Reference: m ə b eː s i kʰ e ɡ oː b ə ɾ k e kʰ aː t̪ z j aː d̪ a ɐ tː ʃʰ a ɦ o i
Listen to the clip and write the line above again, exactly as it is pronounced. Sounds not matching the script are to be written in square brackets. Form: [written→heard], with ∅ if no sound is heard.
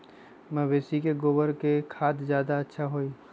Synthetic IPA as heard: m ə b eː s i [kʰ→k] e ɡ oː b ə ɾ k e kʰ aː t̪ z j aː d̪ a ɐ tː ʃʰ a ɦ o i